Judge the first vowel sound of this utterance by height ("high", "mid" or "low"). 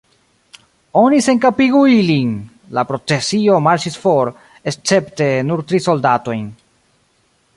mid